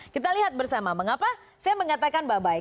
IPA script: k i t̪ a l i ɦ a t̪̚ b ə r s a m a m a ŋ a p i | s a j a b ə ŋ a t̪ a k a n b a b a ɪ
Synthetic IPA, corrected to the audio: k i t̪ a l i ɦ a t̪̚ b ə r s a m a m ə ŋ a p a | s a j a m ə ŋ a t̪ a k a n b a b a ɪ